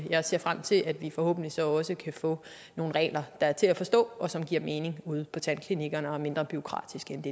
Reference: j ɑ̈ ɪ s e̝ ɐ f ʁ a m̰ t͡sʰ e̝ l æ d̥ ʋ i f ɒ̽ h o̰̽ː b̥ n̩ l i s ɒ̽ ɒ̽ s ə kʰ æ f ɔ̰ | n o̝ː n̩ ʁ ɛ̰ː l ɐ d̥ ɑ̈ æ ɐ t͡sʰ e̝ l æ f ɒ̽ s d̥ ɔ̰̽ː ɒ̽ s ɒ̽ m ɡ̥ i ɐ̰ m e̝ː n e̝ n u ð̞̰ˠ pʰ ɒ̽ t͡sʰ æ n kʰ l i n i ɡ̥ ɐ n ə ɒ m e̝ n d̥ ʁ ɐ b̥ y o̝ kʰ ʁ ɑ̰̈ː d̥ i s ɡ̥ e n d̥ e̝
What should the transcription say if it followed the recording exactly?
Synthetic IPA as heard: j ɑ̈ ɪ s e̝ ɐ f ʁ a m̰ t͡sʰ e̝ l æ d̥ ʋ i f ɒ̽ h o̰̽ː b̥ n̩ l i s ɒ̽ ɒ̽ s ə kʰ æ f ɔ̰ | n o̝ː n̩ ʁ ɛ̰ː l ɐ d̥ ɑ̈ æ ɐ t͡sʰ e̝ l æ f ɒ̽ s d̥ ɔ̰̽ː ɒ̽ s ɒ̽ m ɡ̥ i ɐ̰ m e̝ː n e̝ ŋ u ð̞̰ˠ pʰ ɒ̽ t͡sʰ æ n kʰ l i n i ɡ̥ ɐ n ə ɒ m e̝ n d̥ ʁ ɐ b̥ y o̝ kʰ ʁ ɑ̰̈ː d̥ i s ɡ̥ e n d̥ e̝